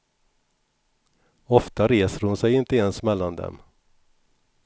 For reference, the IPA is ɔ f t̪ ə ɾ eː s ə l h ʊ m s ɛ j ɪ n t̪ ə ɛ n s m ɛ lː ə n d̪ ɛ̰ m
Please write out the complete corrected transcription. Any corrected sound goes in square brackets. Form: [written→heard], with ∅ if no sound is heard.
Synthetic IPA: ɔ f t̪ [ə→a] ɾ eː s ə [l→ɾ] h ʊ [m→n] s ɛ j ɪ n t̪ ə ɛ n s m ɛ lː [ə→a] n d̪ ɛ̰ m